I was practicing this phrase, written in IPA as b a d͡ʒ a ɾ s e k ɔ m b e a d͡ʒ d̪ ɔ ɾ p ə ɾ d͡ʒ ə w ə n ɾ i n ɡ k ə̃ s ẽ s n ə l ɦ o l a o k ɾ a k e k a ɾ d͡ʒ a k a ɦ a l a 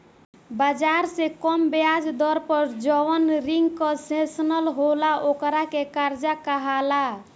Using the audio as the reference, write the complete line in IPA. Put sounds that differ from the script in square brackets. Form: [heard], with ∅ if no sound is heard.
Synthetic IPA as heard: b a d͡ʒ a ɾ s e k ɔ m b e a d͡ʒ d̪ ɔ ɾ p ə ɾ d͡ʒ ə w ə n ɾ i [ŋ] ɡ k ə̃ s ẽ s n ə l ɦ o l a o k ɾ a k e k a ɾ d͡ʒ a k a ɦ a l a

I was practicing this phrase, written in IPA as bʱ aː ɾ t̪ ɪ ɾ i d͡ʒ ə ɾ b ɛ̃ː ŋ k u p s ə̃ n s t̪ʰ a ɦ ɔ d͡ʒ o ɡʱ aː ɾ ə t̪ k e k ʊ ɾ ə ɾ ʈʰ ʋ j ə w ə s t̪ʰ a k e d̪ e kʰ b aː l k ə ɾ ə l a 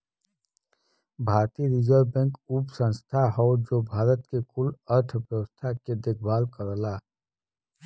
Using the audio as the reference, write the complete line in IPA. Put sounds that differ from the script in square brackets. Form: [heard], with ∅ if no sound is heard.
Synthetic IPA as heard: bʱ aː ɾ t̪ [i] ɾ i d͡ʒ ə ɾ b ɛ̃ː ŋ k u p s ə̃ n s t̪ʰ a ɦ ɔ d͡ʒ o [bʱ] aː ɾ ə t̪ k e k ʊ [l] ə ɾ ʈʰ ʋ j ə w ə s t̪ʰ a k e d̪ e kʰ b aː l k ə ɾ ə l a

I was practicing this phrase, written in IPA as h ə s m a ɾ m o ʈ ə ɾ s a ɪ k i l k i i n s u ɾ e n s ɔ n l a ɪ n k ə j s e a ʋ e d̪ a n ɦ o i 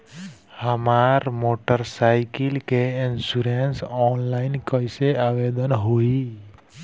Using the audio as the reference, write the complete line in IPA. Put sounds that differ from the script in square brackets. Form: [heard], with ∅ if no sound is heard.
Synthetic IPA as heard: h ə [∅] m a ɾ m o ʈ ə ɾ s a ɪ k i l k [e] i n s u ɾ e n s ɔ n l a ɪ n k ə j s e a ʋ e d̪ [ə] n ɦ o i

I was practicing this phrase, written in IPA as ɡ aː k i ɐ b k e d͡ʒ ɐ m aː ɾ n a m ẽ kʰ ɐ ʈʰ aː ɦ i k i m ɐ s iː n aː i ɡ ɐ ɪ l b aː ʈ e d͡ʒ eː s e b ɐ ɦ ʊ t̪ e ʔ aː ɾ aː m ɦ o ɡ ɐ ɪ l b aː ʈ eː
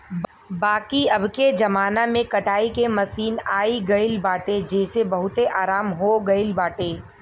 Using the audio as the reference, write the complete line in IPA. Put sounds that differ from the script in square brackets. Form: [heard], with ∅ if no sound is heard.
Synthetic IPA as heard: [b] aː k i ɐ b k e d͡ʒ ɐ m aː [∅] n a m ẽ [k] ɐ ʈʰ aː [∅] i k [e] m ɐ s iː n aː i ɡ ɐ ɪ l b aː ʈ e d͡ʒ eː s e b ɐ ɦ ʊ t̪ e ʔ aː ɾ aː m ɦ o ɡ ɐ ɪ l b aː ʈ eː

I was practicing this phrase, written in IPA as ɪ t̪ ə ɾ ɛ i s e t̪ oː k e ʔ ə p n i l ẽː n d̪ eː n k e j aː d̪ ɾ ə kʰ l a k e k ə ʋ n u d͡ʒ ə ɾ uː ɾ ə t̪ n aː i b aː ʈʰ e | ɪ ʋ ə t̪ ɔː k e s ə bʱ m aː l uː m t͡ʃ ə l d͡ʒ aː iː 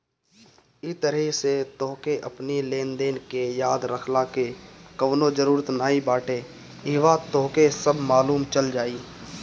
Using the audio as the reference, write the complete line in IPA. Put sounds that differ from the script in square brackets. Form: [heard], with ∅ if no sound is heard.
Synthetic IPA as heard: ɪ t̪ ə ɾ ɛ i s e t̪ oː k e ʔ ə p n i l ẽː n d̪ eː n k e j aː d̪ ɾ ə kʰ l a k e k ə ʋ n [o] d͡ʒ ə ɾ uː ɾ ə t̪ n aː i b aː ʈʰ e | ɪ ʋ [a] t̪ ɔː k e s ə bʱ m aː l uː m t͡ʃ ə l d͡ʒ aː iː

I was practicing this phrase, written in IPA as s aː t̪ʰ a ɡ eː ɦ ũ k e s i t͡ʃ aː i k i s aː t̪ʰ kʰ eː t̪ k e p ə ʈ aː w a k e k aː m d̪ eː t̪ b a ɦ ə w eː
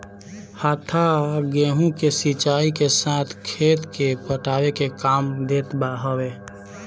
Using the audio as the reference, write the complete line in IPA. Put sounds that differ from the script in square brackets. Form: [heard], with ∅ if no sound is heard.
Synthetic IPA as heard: [h] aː t̪ʰ a ɡ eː ɦ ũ k e s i t͡ʃ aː i k [e] s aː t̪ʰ kʰ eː t̪ k e p ə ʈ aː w [e] k e k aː m d̪ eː t̪ b a ɦ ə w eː

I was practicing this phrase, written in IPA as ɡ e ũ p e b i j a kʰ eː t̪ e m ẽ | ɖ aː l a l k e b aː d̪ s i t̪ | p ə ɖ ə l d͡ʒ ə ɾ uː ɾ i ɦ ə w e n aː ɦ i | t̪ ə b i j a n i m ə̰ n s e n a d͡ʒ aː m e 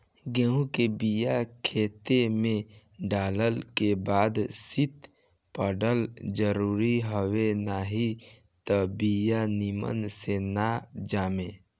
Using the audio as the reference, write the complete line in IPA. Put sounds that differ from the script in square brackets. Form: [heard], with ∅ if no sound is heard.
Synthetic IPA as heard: ɡ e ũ [k] e b i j a kʰ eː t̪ e m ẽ | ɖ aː l [ə] l k e b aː d̪ s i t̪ | p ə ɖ ə l d͡ʒ ə ɾ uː ɾ i ɦ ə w e n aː ɦ i | t̪ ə b i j a n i m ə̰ n s e n a d͡ʒ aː m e

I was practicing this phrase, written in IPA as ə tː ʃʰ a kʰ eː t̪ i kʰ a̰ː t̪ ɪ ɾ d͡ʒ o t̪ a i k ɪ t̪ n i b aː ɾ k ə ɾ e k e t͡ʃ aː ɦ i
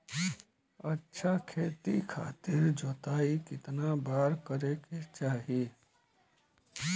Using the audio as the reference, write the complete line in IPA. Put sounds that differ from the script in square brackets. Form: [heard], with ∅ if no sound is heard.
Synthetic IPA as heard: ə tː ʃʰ a kʰ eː t̪ i kʰ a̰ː t̪ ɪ ɾ d͡ʒ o t̪ a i k ɪ t̪ n [a] b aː ɾ k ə ɾ e k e t͡ʃ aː ɦ i

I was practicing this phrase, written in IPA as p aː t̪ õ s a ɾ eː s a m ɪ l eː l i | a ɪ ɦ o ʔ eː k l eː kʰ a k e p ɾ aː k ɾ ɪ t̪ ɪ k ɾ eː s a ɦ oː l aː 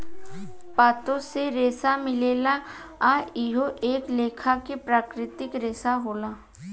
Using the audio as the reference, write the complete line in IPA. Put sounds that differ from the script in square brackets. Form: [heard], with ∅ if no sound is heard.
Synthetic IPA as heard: p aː t̪ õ s [e] ɾ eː s a m ɪ l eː l [a] | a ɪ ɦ o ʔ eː k l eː kʰ a k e p ɾ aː k ɾ ɪ t̪ ɪ k ɾ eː s a ɦ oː l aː

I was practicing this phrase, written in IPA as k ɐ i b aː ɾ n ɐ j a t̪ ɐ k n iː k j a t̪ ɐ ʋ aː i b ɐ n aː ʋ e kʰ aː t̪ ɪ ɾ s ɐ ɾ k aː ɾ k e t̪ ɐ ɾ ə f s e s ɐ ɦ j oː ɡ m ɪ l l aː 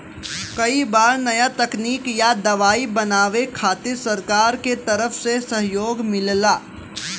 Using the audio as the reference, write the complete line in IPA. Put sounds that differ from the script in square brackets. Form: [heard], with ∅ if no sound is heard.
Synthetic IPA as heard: k ɐ i b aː ɾ n ɐ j a t̪ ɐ k n iː k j a [d̪] ɐ ʋ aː i b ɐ n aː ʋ e kʰ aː t̪ ɪ ɾ s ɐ ɾ k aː ɾ k e t̪ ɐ ɾ ə f s e s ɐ ɦ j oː ɡ m ɪ l l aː

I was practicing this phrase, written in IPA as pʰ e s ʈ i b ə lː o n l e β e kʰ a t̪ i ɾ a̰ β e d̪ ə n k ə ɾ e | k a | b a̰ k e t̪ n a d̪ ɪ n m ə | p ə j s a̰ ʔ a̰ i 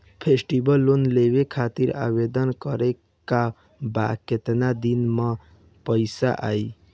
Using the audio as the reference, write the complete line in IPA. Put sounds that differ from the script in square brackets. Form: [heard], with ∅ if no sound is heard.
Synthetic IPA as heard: pʰ e s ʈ i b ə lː o n l e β e kʰ a t̪ i ɾ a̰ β e d̪ ə n k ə ɾ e | k a | b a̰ k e t̪ n a d̪ [i] n m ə | p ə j s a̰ ʔ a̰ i

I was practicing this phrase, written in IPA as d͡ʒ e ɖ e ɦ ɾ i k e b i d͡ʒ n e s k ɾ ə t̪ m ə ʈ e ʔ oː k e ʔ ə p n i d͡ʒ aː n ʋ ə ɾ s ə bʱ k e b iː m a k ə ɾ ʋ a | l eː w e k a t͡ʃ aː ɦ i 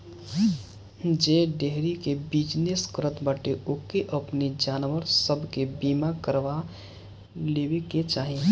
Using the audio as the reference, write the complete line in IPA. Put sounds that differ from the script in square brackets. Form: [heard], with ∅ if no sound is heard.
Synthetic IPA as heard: d͡ʒ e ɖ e ɦ ɾ i k e b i d͡ʒ n e s k ɾ ə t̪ [b] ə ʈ e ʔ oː k e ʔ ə p n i d͡ʒ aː n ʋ ə ɾ s ə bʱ k e b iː m a k ə ɾ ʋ a | l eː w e k [e] t͡ʃ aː ɦ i

